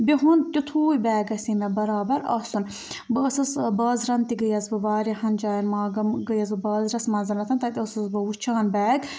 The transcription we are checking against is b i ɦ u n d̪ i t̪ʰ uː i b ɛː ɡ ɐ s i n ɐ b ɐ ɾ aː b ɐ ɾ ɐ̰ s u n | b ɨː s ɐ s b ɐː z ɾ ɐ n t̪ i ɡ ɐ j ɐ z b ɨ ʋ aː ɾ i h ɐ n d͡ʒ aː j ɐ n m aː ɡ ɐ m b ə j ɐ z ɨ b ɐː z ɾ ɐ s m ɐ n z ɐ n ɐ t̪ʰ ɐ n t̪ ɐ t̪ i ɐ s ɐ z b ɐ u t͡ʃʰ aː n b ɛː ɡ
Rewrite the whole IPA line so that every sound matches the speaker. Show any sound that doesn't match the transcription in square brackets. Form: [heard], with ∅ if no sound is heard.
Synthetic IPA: b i ɦ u n [t̪] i t̪ʰ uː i b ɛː ɡ ɐ s i n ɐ b ɐ ɾ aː b ɐ ɾ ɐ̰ s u n | b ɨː s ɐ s b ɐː z ɾ ɐ n t̪ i ɡ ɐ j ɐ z b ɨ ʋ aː ɾ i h ɐ n d͡ʒ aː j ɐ n m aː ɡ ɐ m [ɡ] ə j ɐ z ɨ b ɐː z ɾ ɐ s m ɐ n z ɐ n ɐ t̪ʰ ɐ n t̪ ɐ t̪ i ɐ s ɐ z b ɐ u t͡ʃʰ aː n b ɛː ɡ